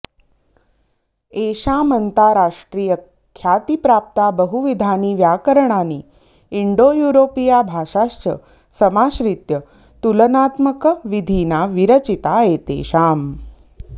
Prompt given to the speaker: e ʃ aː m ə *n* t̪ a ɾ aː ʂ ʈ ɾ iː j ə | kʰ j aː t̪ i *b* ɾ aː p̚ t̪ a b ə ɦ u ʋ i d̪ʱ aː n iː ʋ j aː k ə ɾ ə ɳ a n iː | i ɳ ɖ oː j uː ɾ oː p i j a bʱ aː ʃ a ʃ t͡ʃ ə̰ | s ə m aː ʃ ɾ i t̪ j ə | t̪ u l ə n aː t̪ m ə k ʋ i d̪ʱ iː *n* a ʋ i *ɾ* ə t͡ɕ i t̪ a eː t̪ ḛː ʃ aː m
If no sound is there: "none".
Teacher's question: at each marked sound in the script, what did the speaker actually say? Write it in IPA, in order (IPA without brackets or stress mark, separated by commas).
n, p, n, ɾ